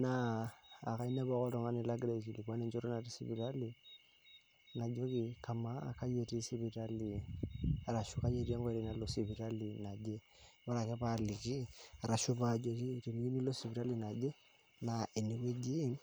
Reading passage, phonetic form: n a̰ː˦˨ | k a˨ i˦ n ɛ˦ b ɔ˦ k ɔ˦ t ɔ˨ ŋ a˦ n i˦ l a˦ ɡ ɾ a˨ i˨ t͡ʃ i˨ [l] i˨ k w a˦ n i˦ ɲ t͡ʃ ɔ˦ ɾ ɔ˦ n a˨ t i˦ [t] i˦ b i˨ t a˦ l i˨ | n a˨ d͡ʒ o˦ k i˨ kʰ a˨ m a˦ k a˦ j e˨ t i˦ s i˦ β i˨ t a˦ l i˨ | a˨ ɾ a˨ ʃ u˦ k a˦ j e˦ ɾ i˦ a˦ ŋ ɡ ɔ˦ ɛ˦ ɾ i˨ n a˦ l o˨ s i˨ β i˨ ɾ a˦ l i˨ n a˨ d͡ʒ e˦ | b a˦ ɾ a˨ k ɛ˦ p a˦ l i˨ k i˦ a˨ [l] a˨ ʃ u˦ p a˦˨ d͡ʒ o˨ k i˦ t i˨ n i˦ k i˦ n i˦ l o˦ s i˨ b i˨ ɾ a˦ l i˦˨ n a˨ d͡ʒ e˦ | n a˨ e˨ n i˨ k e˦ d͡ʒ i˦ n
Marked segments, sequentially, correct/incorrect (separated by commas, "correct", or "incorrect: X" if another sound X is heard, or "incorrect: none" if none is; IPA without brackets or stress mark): correct, incorrect: s, incorrect: ɾ